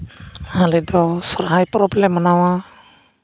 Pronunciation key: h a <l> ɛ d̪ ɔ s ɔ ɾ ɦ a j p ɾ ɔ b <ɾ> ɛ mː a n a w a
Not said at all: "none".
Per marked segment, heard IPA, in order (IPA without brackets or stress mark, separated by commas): l, l